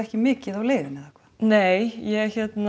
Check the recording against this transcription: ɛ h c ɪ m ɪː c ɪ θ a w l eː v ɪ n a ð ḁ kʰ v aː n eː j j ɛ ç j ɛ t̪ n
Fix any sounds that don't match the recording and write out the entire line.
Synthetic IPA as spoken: ɛ h c ɪ m ɪː c ɪ ð a w l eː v ɪ n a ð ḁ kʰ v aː n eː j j ɛ ç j ɛ t̪ n